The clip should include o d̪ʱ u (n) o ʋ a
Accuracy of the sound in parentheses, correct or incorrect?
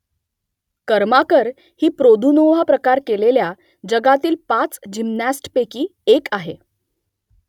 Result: correct